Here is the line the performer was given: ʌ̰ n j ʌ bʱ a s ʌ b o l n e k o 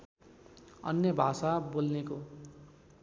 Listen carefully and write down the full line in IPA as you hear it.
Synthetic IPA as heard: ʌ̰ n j ʌ bʱ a s a b o l n e k o